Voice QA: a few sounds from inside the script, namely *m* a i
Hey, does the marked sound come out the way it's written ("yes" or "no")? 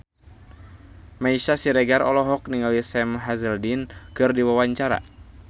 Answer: yes